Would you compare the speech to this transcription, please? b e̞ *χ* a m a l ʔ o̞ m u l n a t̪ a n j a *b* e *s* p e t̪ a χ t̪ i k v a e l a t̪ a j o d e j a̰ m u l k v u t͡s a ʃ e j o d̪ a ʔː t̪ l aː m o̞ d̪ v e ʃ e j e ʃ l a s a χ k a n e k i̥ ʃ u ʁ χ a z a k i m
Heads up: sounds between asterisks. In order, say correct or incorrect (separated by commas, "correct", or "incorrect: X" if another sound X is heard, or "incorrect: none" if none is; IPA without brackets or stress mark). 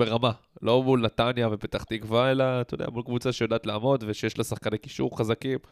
incorrect: ʁ, incorrect: v, incorrect: none